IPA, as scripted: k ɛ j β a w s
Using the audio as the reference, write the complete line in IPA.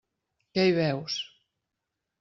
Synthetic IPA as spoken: k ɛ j β ɛ w s